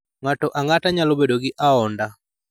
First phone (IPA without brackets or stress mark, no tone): ŋ